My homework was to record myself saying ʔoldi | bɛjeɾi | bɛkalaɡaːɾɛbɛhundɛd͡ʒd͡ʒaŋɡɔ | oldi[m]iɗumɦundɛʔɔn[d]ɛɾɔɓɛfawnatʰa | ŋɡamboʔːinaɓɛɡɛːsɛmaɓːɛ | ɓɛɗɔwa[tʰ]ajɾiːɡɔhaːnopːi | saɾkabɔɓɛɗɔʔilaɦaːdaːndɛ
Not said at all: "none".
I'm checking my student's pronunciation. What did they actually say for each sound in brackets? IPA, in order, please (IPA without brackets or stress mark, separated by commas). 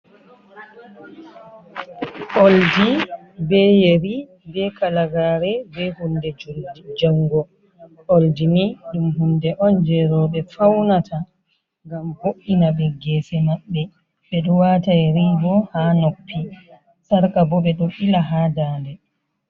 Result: n, d͡ʒ, t